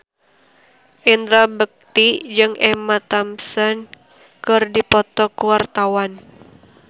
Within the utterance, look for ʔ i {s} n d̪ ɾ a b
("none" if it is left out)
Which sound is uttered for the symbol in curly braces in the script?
none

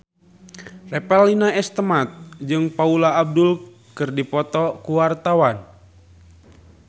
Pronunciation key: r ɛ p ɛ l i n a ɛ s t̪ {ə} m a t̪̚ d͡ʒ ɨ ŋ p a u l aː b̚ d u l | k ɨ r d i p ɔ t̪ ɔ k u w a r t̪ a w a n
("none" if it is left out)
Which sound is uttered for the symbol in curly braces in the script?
ə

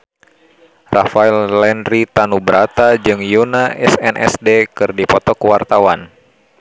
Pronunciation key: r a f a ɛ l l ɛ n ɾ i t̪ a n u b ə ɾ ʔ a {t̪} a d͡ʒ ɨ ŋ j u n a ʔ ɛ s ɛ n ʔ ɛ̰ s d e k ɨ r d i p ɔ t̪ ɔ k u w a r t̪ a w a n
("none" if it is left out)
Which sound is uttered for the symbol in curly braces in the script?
t̪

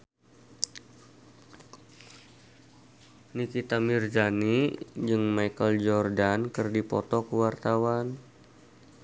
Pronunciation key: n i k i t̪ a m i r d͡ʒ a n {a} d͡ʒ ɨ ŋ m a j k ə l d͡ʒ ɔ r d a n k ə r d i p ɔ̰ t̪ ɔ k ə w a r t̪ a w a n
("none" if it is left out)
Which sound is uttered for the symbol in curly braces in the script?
i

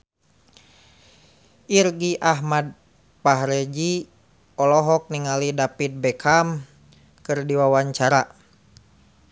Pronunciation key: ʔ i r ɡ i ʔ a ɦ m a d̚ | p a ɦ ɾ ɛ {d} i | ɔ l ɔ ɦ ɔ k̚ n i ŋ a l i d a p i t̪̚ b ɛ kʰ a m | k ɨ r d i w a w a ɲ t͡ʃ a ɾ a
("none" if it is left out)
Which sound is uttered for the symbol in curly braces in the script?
d͡ʒ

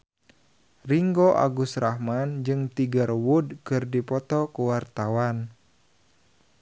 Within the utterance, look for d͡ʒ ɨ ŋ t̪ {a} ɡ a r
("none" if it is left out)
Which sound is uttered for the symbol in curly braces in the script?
i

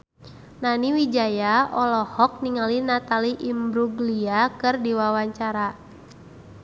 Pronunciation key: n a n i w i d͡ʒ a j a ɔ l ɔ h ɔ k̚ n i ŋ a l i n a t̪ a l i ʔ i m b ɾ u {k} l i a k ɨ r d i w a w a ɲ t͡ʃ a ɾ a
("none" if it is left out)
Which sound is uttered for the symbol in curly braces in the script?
ɡ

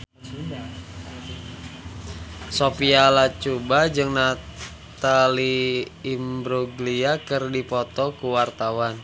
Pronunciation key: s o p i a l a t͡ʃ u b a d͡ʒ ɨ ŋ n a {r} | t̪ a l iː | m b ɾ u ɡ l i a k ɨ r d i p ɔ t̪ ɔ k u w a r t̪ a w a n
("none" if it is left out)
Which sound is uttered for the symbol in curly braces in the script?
none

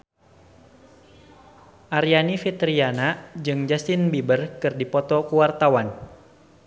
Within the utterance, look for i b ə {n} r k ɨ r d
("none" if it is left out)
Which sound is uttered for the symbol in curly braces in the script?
none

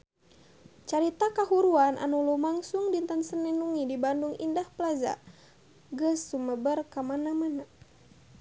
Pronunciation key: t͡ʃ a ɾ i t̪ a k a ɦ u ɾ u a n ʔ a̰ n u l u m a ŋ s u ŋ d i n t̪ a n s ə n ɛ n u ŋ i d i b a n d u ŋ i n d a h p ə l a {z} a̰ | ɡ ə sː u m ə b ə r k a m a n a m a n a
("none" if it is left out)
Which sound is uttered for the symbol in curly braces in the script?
z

